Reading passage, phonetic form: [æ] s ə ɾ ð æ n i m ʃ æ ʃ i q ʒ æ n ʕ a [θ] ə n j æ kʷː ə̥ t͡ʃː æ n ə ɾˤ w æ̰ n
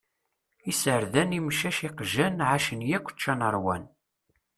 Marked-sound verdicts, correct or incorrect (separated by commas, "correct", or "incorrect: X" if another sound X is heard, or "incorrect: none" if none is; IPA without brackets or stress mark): incorrect: i, incorrect: ʃ